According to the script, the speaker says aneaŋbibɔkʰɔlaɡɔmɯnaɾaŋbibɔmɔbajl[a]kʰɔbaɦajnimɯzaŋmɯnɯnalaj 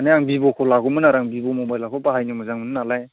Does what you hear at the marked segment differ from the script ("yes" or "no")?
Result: no